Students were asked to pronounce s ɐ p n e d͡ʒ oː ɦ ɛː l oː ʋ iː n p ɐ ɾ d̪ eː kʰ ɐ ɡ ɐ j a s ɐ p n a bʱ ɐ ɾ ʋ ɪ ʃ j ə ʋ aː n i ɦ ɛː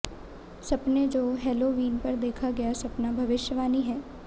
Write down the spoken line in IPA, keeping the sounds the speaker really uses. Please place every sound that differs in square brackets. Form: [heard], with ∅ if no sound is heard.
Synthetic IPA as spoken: s ɐ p n e d͡ʒ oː ɦ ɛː l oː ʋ iː n p ɐ ɾ d̪ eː kʰ [a] ɡ ɐ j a s ɐ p n a bʱ ɐ [∅] ʋ ɪ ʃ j ə ʋ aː n i ɦ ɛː